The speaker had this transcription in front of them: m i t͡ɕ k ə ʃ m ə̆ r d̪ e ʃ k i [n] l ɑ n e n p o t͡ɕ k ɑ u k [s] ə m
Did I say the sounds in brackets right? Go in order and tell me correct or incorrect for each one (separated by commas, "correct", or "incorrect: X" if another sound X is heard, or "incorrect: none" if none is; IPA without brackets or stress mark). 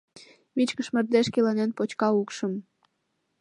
incorrect: none, incorrect: ʃ